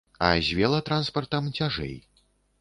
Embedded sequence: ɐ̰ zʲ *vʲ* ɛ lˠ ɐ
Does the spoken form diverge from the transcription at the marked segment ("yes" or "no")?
no